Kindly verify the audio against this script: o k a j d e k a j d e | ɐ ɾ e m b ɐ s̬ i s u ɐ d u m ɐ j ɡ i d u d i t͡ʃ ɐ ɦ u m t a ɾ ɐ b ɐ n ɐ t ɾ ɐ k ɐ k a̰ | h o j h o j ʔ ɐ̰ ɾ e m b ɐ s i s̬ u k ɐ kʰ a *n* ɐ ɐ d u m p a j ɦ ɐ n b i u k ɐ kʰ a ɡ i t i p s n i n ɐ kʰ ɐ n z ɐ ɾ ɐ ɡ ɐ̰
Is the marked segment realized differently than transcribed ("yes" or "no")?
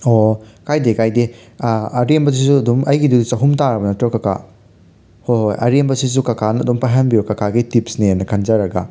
no